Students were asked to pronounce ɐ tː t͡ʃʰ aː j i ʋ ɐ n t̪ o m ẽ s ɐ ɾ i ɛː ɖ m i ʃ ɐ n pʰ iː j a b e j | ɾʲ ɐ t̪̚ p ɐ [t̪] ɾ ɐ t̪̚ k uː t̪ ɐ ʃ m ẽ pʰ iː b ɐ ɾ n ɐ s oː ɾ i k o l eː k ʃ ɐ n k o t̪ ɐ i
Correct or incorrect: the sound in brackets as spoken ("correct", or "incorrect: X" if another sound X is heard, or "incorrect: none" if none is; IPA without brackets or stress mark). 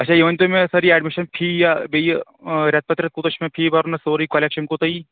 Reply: correct